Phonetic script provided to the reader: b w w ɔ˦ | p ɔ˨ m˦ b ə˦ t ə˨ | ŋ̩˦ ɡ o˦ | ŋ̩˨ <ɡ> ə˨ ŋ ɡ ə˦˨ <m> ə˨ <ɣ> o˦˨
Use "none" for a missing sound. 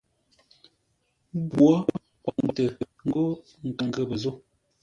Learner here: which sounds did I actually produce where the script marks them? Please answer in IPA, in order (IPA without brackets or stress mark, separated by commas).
k, b, z